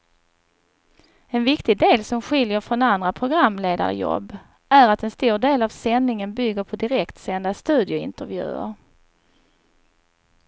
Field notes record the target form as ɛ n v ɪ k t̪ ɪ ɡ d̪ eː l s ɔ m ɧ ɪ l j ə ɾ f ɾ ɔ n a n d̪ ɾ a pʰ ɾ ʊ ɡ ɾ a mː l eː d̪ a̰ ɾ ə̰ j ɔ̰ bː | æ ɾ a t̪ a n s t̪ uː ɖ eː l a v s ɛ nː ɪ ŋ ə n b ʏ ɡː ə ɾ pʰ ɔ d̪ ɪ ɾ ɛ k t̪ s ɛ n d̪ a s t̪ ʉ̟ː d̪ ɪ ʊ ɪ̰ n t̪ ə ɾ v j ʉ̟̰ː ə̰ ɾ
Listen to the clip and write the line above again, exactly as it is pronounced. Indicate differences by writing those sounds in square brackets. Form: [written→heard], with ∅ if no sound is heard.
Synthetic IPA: ɛ n v ɪ k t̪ ɪ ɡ d̪ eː l s ɔ m ɧ ɪ l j ə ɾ f ɾ ɔ n a n d̪ ɾ a pʰ ɾ ʊ ɡ ɾ a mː l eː d̪ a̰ ɾ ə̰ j ɔ̰ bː | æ ɾ a t̪ [a→ɛ] n s t̪ uː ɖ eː l a v s ɛ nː ɪ ŋ ə n b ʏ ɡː ə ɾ pʰ ɔ d̪ ɪ ɾ ɛ k t̪ s ɛ n d̪ a s t̪ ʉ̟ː d̪ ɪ ʊ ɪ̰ n t̪ ə ɾ v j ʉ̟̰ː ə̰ ɾ